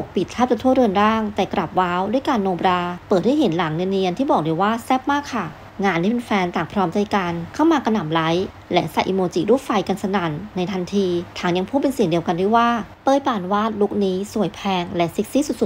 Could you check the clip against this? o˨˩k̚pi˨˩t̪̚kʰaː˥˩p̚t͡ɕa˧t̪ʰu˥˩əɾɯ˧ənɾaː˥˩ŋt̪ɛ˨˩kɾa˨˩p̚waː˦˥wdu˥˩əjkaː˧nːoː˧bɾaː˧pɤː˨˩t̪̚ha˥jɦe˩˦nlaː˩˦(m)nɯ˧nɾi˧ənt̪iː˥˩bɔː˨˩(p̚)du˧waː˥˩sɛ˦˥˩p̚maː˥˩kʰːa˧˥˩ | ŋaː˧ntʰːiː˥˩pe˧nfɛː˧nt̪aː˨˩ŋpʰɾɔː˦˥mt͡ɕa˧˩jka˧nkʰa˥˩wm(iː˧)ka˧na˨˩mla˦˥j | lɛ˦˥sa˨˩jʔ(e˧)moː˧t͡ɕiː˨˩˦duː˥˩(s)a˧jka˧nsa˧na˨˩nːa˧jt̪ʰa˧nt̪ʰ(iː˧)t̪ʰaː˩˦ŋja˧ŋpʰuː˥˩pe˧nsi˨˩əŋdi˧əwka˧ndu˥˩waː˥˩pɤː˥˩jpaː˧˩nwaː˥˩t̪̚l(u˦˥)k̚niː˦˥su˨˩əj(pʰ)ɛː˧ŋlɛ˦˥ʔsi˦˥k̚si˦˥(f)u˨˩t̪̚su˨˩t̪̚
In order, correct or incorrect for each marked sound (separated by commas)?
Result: incorrect, incorrect, incorrect, incorrect, incorrect, correct, correct, correct, incorrect